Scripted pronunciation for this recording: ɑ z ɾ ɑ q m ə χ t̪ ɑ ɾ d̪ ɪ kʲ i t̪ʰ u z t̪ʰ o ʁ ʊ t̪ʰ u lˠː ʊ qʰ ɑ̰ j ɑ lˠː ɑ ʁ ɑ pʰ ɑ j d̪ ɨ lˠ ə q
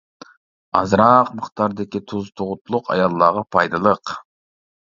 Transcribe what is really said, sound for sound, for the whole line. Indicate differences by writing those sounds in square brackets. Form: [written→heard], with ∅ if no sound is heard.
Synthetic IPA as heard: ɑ z ɾ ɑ q m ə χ t̪ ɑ ɾ d̪ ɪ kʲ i t̪ʰ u z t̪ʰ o ʁ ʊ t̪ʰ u [lˠː→lˠ] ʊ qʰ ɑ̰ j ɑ lˠː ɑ ʁ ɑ pʰ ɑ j d̪ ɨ lˠ ə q

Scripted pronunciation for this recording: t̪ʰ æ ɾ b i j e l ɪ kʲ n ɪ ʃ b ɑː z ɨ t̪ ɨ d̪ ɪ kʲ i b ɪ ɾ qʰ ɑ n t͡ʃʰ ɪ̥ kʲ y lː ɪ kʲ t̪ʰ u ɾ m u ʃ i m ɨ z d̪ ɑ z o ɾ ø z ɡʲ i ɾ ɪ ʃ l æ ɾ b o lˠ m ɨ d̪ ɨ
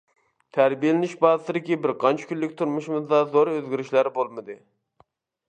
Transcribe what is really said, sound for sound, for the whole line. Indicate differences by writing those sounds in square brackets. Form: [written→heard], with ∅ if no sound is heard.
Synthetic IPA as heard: t̪ʰ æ ɾ b i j e l ɪ [kʲ→∅] n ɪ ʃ b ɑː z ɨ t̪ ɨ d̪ ɪ kʲ i b ɪ ɾ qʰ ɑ n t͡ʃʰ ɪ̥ kʲ y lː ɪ kʲ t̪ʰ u ɾ m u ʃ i m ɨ z d̪ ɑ z o ɾ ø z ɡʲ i ɾ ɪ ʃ l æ ɾ b o lˠ m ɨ d̪ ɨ

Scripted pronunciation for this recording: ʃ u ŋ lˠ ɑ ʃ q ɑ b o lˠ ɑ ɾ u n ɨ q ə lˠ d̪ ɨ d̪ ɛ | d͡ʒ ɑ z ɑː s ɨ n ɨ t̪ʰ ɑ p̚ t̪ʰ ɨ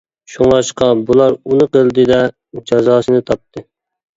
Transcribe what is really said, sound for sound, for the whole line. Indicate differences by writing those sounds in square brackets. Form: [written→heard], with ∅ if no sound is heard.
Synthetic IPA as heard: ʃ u ŋ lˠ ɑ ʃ q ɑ b [o→u] lˠ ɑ ɾ u n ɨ q ə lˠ d̪ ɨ d̪ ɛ | d͡ʒ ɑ z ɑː s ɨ n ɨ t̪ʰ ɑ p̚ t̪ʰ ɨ

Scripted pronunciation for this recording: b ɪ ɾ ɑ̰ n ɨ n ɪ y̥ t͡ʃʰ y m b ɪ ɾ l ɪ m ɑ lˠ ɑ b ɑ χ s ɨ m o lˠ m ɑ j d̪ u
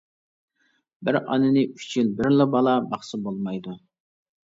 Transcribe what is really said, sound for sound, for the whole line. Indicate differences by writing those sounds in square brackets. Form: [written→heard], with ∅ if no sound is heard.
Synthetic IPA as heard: b ɪ ɾ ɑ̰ n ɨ n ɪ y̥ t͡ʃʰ y [m→n] b ɪ ɾ l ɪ [m→b] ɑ lˠ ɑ b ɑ χ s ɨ [m→b] o lˠ m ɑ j d̪ u

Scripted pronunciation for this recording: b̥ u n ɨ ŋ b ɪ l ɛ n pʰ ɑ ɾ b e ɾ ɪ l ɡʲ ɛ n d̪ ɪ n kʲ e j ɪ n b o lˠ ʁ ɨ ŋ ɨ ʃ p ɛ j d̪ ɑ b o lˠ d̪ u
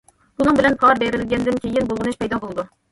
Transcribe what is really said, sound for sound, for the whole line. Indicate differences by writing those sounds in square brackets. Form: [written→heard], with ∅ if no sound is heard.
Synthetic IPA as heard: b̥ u n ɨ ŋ b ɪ l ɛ n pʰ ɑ ɾ b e ɾ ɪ l ɡʲ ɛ n d̪ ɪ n kʲ e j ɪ n b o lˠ ʁ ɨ [ŋ→n] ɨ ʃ p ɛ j d̪ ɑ b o lˠ d̪ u

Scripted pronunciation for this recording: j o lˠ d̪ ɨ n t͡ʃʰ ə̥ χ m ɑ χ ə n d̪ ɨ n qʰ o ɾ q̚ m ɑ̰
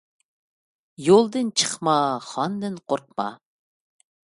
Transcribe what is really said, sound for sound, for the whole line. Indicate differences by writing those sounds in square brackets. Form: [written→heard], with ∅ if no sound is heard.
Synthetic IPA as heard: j o lˠ d̪ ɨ n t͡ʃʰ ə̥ χ m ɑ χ [ə→ɑ] n d̪ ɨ n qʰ o ɾ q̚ m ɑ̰

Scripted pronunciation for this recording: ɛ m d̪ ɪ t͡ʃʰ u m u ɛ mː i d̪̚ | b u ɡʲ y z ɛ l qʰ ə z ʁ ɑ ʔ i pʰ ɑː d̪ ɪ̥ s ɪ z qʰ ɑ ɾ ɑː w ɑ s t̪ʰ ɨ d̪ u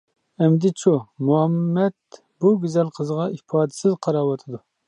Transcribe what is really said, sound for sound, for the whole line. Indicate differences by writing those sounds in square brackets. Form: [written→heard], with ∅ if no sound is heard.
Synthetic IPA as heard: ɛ m d̪ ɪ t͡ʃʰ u m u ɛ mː [i→ɛ] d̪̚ | b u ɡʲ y z ɛ l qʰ ə z ʁ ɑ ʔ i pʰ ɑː d̪ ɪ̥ s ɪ z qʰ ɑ ɾ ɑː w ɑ [s→∅] t̪ʰ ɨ d̪ u

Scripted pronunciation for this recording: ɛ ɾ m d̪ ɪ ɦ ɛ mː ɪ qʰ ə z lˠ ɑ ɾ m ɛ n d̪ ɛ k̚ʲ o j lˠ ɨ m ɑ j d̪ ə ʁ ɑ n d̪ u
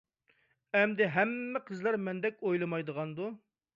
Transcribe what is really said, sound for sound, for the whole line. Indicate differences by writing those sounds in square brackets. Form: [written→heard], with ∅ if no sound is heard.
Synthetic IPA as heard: ɛ [ɾ→∅] m d̪ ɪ ɦ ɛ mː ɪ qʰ ə z lˠ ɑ ɾ m ɛ n d̪ ɛ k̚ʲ o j lˠ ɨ m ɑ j d̪ ə ʁ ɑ n d̪ u

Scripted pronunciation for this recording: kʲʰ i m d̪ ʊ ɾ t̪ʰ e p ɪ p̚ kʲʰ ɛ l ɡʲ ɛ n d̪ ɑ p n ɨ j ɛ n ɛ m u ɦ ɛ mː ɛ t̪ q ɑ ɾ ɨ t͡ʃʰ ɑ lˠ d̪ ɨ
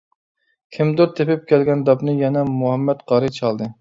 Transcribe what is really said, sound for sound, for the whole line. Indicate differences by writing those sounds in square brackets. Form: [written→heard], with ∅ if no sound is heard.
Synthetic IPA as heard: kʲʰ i m d̪ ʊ ɾ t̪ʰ e p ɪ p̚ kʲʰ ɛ l ɡʲ ɛ n d̪ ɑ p n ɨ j ɛ n ɛ m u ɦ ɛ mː ɛ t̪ q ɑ ɾ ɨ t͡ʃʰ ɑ lˠ d̪ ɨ

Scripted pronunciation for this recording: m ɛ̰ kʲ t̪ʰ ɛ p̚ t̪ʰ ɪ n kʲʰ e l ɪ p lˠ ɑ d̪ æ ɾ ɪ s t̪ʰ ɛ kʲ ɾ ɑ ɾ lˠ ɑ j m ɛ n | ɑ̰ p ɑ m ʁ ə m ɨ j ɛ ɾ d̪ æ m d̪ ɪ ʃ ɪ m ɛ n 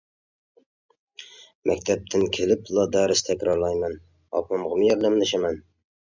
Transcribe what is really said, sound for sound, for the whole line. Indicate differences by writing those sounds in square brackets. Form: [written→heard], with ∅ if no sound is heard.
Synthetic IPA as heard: m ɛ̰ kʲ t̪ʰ ɛ p̚ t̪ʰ ɪ n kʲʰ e l ɪ p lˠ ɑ d̪ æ ɾ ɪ s t̪ʰ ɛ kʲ ɾ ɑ ɾ lˠ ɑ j m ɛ n | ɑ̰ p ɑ m ʁ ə m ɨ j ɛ ɾ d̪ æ m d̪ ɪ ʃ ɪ m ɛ n

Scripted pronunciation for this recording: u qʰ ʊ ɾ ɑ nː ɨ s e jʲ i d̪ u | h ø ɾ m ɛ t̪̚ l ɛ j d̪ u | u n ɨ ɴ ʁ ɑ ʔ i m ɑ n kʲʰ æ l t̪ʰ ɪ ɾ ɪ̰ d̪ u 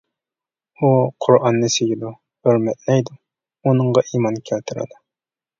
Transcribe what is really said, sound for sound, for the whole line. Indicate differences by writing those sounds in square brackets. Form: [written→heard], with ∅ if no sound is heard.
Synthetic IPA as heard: u qʰ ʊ ɾ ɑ nː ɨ s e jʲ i d̪ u | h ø ɾ m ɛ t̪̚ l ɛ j d̪ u | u n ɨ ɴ ʁ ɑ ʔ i m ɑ n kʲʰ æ l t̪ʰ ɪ ɾ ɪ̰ d̪ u

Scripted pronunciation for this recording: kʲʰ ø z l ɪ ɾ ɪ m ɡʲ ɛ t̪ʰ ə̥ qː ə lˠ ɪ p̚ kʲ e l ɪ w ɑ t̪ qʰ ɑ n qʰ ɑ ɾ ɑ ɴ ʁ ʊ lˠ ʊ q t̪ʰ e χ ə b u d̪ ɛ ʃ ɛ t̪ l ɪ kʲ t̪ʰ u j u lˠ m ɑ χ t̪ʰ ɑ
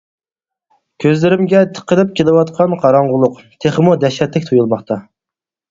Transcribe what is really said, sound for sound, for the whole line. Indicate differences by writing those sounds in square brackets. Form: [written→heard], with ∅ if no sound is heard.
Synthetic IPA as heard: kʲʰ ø z l ɪ ɾ ɪ m ɡʲ ɛ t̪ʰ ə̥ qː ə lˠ ɪ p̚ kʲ e l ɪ w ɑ t̪ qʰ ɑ n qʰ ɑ ɾ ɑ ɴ ʁ ʊ lˠ ʊ q t̪ʰ e χ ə [b→m] u d̪ ɛ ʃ ɛ t̪ l ɪ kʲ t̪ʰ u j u lˠ m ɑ χ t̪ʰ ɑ

